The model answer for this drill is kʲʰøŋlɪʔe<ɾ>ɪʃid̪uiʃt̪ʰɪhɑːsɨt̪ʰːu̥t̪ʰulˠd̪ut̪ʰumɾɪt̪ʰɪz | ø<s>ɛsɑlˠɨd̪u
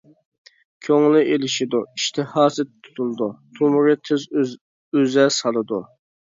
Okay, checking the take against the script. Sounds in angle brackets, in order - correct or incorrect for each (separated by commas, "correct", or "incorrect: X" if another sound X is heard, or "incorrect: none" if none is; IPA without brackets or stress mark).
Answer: incorrect: l, incorrect: z